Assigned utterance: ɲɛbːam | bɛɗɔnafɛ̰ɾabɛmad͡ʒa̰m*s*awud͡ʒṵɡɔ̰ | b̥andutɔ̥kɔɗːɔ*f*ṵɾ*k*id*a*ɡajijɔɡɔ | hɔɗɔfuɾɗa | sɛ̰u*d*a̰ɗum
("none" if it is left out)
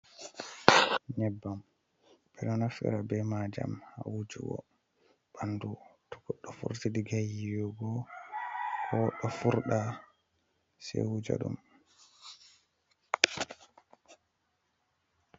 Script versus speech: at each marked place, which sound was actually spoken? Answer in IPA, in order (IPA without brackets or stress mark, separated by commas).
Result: h, f, t, i, d͡ʒ